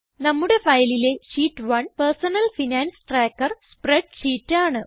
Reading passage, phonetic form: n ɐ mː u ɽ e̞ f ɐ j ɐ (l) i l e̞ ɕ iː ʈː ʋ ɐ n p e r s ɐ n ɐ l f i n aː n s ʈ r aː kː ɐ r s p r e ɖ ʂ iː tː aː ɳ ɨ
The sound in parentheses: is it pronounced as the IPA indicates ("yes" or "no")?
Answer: yes